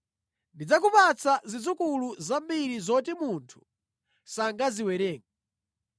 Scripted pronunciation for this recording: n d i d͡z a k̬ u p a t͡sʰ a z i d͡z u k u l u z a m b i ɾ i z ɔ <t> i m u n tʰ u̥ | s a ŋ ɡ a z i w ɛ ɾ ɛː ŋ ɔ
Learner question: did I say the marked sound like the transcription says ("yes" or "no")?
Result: yes